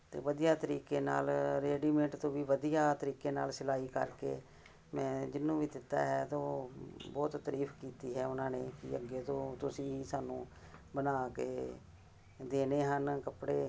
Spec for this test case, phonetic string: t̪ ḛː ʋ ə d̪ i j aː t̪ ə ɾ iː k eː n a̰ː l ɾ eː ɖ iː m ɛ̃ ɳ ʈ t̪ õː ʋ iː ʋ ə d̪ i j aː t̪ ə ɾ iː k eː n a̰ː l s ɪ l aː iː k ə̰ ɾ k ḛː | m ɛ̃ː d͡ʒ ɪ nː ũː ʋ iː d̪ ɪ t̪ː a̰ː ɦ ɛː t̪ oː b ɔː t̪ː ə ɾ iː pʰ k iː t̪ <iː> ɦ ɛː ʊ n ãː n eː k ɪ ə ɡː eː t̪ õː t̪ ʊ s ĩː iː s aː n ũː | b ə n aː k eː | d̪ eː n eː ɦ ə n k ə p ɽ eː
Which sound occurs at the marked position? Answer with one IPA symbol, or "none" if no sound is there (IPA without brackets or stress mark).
iː